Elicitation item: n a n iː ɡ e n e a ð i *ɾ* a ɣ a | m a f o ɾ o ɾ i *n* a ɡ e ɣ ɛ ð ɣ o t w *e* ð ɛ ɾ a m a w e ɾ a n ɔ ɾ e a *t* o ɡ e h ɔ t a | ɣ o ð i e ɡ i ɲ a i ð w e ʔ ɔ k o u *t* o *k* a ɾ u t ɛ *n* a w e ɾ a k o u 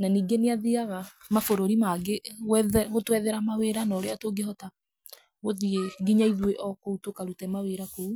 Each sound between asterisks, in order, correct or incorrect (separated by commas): incorrect, incorrect, incorrect, correct, correct, correct, incorrect